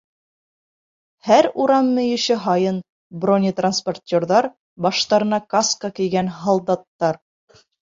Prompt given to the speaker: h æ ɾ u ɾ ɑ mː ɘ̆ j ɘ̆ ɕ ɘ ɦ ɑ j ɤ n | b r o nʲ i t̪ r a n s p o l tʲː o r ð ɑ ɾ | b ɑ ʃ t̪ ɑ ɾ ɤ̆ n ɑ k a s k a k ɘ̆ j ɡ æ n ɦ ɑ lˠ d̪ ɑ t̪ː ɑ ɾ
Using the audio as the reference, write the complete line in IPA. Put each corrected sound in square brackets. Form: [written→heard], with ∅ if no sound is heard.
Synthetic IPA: h æ ɾ u ɾ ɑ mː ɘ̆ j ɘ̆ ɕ ɘ ɦ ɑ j ɤ n | b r o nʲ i t̪ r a n s p o [l→r] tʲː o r ð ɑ ɾ | b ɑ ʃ t̪ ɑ ɾ ɤ̆ n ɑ k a s k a k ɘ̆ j ɡ æ n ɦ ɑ lˠ d̪ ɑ t̪ː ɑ ɾ